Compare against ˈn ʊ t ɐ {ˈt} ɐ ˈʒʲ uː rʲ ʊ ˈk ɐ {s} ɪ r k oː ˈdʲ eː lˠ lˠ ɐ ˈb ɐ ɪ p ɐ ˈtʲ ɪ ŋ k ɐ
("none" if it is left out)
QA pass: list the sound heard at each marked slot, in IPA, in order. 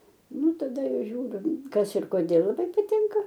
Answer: d, s

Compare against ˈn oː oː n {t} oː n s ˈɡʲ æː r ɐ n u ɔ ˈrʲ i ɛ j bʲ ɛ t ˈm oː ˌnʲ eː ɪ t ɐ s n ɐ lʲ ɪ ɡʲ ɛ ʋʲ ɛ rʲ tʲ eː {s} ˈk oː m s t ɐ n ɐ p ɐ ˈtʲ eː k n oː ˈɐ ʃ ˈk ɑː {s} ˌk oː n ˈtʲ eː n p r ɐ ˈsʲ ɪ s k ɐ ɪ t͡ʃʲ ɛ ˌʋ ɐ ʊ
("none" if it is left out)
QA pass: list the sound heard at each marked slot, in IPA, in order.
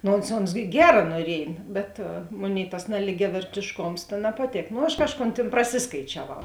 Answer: s, ʃ, ʃ

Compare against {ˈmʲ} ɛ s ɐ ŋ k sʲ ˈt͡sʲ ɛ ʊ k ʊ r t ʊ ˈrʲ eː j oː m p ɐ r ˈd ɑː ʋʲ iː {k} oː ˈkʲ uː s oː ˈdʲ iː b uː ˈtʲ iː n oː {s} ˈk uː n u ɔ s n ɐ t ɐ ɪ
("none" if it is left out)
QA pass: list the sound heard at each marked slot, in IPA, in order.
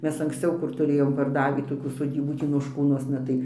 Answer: mʲ, t, ʃ

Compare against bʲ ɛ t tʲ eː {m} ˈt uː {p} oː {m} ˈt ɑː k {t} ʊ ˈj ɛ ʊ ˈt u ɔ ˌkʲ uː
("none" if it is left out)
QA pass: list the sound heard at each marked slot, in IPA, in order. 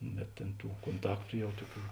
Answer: n, k, n, t

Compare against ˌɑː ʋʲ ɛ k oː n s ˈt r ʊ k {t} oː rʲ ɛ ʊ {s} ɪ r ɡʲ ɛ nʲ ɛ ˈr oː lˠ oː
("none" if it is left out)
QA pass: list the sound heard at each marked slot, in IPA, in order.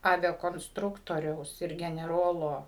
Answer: t, s

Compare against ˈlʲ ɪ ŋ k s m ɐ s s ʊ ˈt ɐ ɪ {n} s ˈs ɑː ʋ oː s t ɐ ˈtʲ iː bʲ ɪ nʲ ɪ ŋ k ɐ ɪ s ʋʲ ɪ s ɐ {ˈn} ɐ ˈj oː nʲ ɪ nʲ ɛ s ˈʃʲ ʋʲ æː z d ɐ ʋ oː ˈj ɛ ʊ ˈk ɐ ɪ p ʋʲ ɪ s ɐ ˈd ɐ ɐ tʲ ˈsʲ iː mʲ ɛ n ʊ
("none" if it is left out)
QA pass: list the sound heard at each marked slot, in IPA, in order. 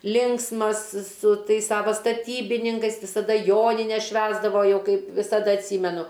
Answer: none, d

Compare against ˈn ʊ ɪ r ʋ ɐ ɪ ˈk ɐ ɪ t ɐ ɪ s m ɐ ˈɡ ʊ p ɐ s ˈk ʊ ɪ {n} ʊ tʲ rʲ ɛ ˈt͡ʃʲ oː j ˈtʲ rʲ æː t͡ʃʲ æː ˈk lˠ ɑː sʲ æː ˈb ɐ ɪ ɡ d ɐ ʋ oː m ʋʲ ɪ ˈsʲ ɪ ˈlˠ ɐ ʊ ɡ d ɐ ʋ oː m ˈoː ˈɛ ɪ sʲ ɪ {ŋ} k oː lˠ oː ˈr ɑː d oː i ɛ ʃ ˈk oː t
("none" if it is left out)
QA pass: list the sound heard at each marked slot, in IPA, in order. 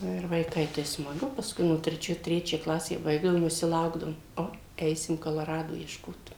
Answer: n, m

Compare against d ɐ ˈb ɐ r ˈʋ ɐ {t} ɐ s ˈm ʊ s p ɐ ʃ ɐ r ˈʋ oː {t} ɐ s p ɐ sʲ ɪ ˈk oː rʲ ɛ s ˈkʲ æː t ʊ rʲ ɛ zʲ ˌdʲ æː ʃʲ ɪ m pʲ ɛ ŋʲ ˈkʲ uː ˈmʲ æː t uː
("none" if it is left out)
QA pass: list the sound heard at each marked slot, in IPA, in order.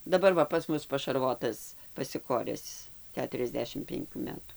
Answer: p, t

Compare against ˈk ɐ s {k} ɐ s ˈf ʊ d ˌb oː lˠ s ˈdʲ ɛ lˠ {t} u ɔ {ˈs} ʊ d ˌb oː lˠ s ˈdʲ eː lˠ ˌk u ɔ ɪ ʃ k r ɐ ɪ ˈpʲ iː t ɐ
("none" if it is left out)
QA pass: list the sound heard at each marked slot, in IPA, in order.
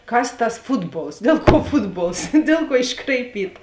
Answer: t, k, f

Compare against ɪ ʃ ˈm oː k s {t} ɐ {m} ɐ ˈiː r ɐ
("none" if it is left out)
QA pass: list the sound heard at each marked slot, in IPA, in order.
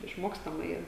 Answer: t, m

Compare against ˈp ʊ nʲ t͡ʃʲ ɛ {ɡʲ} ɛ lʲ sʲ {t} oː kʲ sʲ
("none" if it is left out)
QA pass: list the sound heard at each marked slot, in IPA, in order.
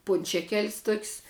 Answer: kʲ, t

